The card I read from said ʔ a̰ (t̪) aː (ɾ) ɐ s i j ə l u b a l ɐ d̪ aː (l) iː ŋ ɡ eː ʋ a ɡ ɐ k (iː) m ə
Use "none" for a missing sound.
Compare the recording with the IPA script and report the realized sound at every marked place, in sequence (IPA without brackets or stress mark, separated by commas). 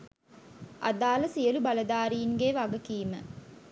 d̪, l, ɾ, iː